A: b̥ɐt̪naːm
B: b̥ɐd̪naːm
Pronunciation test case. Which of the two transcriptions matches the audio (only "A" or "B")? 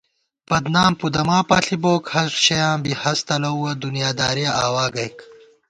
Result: B